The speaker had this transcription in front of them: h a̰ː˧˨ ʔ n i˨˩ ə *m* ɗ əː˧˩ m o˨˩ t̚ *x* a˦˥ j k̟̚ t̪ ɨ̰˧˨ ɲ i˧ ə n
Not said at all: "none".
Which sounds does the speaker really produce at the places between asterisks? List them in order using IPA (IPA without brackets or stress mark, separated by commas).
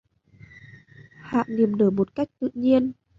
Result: m, k